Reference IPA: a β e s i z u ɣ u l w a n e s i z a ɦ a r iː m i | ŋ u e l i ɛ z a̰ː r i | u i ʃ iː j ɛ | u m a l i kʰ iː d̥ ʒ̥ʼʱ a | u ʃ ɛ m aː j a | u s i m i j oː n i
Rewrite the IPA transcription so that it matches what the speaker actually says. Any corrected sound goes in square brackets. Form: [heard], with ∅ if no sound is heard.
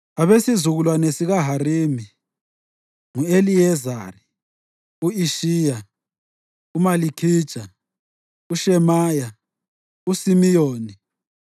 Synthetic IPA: a β e s i z u ɣ u l w a n e s i [ɣ] a ɦ a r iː m i | ŋ u e l i ɛ z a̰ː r i | u i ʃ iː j [a] | u m a l i kʰ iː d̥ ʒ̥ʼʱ a | u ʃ ɛ m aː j a | u s i m i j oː n i